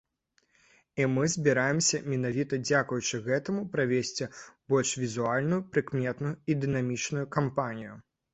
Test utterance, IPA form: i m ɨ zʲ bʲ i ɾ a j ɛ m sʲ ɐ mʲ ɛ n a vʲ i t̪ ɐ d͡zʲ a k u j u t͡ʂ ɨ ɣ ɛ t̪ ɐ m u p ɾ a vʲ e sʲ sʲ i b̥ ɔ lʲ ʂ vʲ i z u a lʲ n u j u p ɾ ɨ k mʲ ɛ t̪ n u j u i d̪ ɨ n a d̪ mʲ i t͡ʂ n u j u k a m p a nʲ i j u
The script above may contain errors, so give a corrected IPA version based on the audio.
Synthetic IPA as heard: i m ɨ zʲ bʲ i ɾ a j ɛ m sʲ ɐ mʲ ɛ n a vʲ i t̪ ɐ d͡zʲ a k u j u t͡ʂ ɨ ɣ ɛ t̪ ɐ m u p ɾ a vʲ e sʲ t͡sʲ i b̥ ɔ lʲ ʂ vʲ i z u a lʲ n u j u p ɾ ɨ k mʲ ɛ t̪ n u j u i d̪ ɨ n a mʲ i t͡ʂ n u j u k a m p a nʲ i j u